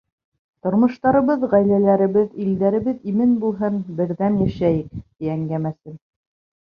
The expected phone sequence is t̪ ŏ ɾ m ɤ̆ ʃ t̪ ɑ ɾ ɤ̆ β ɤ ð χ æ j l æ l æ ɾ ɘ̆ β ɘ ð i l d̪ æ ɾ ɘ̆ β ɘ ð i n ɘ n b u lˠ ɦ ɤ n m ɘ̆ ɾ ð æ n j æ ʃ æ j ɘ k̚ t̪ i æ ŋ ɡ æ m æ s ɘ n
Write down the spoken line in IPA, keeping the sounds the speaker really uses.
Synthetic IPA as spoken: t̪ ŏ ɾ m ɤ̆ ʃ t̪ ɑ ɾ ɤ̆ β ɤ ð ʁ æ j l æ l æ ɾ ɘ̆ β ɘ ð i l d̪ æ ɾ ɘ̆ β ɘ ð i m ɘ n b u lˠ ɦ ɤ n b ɘ̆ ɾ ð æ n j æ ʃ æ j ɘ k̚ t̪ i æ ŋ ɡ æ m æ s ɘ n